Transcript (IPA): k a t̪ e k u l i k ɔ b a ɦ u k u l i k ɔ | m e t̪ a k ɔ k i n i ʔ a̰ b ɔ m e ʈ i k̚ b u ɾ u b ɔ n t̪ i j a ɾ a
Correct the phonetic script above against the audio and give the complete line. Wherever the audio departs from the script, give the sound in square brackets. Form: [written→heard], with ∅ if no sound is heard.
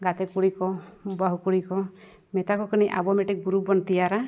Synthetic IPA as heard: [k→ɡ] a t̪ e k u [l→ɽ] i k ɔ b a ɦ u k u [l→ɽ] i k ɔ | m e t̪ a k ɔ k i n i ʔ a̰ b ɔ m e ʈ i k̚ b u ɾ u b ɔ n t̪ i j a ɾ a